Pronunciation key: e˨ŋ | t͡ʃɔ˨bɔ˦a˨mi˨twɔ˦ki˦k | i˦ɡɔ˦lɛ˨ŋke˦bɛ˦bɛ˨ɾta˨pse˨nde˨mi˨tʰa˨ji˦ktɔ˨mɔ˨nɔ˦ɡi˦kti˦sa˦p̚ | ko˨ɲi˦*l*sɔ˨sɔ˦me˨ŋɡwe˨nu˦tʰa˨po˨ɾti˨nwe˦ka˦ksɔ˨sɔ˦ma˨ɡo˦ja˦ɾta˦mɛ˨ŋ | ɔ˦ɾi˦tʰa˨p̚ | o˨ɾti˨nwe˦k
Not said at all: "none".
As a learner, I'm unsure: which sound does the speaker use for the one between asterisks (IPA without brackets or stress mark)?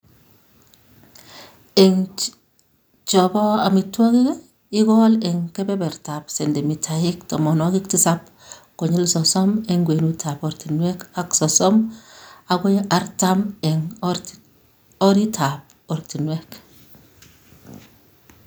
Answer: l